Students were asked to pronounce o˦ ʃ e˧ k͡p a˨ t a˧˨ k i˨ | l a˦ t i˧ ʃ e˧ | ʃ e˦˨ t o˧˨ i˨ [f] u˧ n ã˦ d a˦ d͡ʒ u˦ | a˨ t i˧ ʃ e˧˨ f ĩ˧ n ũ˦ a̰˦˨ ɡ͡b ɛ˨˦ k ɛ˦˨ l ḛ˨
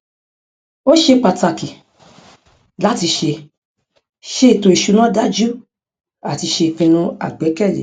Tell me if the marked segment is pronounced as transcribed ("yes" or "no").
no